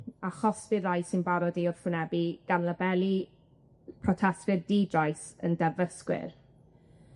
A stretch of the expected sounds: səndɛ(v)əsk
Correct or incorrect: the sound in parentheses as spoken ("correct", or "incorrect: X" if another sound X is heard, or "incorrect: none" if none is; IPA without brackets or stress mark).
correct